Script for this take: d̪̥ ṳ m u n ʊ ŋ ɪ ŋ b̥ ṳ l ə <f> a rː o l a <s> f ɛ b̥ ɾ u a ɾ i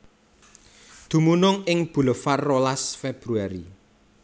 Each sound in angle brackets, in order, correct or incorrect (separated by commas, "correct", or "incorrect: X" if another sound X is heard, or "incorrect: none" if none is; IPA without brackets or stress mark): correct, correct